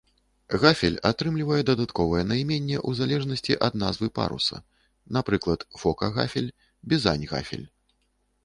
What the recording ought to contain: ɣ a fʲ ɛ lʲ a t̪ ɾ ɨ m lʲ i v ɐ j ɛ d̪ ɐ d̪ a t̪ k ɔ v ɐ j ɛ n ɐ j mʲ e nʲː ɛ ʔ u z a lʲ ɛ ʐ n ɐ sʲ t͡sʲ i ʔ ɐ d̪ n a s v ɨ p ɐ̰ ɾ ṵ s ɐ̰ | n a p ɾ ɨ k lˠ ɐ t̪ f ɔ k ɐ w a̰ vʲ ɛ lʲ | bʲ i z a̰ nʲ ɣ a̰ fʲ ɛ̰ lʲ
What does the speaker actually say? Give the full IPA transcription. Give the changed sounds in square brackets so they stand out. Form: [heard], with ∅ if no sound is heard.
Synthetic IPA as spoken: ɣ a fʲ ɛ lʲ a t̪ ɾ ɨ m lʲ i v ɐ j ɛ d̪ ɐ d̪ a t̪ k ɔ v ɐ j ɛ n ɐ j mʲ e nʲː ɛ ʔ u z a lʲ ɛ ʐ n ɐ sʲ t͡sʲ i ʔ ɐ d̪ n a [z] v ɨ p [a̰] ɾ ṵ s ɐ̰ | n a p ɾ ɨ k lˠ ɐ t̪ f ɔ k ɐ [ɣ] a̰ [fʲ] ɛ lʲ | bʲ i z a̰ nʲ ɣ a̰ fʲ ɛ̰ lʲ